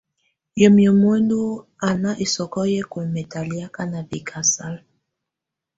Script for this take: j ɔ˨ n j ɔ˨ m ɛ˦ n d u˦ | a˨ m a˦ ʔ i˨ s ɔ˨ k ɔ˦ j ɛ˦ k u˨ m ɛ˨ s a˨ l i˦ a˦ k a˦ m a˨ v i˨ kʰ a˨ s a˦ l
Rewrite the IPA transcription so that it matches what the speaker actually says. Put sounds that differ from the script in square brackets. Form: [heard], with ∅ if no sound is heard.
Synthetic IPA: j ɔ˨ [m] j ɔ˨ m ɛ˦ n d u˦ | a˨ [n] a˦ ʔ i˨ s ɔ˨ k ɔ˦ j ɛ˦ k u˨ m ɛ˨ [t] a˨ l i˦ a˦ k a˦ [n] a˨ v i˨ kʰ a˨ s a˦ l

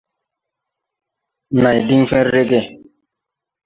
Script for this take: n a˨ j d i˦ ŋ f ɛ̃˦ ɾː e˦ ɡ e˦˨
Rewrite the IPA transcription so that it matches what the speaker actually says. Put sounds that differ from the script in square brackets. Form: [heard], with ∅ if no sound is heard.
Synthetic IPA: n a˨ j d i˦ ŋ f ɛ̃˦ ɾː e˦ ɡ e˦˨

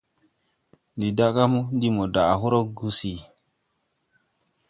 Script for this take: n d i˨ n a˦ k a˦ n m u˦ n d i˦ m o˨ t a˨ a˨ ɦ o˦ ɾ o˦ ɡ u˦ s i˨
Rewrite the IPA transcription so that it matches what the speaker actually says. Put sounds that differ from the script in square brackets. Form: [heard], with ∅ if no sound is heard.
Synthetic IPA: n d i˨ [d] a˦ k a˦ [∅] m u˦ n d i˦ m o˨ [d] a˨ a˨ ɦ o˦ ɾ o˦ ɡ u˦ s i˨

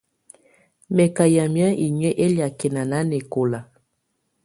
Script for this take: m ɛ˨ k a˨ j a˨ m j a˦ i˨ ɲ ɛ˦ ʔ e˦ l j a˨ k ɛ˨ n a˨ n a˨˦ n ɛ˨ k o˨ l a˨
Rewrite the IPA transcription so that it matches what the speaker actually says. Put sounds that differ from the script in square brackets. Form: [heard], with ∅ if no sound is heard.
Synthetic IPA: m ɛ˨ k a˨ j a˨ m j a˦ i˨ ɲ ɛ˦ ʔ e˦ l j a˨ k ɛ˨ n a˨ n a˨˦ n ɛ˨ k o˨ l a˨

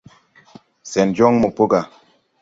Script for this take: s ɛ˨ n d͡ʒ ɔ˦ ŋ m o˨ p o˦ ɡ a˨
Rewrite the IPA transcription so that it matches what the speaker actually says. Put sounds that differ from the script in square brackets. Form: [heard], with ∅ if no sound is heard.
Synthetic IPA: s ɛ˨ n d͡ʒ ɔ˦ ŋ m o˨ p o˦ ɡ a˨

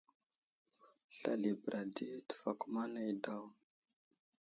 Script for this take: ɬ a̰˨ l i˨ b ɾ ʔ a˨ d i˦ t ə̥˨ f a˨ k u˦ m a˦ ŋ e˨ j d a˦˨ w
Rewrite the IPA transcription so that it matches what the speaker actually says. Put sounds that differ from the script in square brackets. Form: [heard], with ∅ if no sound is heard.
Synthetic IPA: ɬ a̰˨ l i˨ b ɾ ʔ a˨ d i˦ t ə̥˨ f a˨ k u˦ m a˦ [n] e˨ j d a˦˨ w

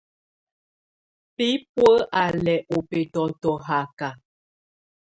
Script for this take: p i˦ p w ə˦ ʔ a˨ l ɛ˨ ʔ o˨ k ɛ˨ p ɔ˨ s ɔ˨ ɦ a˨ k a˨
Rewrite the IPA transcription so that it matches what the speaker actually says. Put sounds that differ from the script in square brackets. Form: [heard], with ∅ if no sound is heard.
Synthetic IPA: p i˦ p w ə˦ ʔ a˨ l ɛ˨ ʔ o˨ [p] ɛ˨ [t] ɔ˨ [t] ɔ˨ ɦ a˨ k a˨

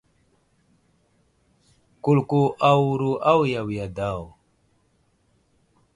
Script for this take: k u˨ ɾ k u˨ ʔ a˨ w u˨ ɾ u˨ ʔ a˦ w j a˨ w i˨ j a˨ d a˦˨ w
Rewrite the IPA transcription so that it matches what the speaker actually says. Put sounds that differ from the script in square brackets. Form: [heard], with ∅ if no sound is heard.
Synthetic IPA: k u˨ [l] k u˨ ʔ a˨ w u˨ ɾ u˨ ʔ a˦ w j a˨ w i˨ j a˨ d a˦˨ w

